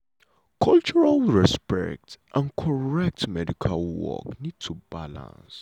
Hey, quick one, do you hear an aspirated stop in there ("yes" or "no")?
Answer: yes